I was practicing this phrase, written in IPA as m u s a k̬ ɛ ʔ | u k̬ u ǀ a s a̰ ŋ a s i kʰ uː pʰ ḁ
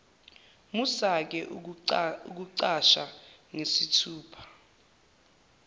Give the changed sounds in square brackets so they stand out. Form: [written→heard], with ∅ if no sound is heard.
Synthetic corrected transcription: m u s a k̬ ɛ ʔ | u k̬ u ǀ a [s→ʃ] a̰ ŋ [a→e] s i [kʰ→tʰ] uː pʰ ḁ